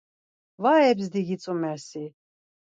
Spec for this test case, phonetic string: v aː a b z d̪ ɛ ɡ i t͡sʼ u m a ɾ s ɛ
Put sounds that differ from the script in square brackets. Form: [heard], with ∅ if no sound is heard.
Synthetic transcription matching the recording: v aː [ɛ] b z d̪ [i] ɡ i t͡sʼ u m [ɛ] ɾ s [i]